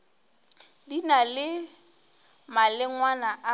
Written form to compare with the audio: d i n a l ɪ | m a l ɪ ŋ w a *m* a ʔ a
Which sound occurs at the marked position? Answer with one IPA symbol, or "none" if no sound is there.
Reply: n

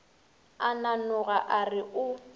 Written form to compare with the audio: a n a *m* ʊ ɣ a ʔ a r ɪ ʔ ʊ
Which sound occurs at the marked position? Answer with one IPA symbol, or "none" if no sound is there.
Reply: n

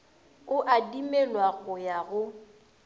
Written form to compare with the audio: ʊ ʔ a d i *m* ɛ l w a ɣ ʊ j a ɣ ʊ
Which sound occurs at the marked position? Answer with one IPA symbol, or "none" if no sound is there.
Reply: m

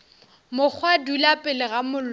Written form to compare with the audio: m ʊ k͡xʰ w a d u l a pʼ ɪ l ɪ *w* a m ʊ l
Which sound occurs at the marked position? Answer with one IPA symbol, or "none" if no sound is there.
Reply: ɣ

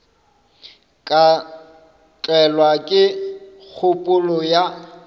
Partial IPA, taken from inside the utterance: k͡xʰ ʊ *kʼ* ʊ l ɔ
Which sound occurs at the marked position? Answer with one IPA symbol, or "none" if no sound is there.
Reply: pʼ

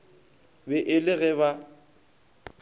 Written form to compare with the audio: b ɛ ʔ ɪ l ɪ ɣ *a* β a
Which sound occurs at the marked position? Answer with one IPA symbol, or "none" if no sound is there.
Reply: ɛ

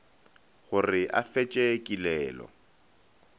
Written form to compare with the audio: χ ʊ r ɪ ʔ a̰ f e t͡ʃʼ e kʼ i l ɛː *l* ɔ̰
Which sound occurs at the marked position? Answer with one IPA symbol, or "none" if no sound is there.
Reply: l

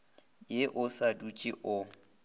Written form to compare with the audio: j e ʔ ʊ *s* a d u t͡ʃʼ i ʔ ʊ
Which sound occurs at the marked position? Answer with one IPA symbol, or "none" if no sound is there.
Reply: s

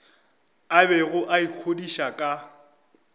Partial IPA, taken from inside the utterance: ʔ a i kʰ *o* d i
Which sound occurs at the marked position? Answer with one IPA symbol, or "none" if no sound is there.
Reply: o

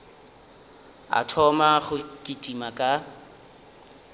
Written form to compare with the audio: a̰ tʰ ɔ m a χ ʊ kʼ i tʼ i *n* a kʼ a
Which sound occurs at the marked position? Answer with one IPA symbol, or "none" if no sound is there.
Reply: m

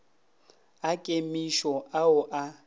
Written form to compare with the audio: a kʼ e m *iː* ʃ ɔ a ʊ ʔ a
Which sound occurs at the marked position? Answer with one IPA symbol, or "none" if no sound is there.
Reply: i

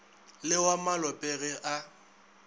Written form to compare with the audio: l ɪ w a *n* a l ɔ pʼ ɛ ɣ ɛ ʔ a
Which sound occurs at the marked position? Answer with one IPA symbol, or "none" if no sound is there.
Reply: m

